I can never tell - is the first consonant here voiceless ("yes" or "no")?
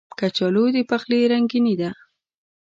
yes